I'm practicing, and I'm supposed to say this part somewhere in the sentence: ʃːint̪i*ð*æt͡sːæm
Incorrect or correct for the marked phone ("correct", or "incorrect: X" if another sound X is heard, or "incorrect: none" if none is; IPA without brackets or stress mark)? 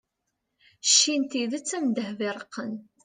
correct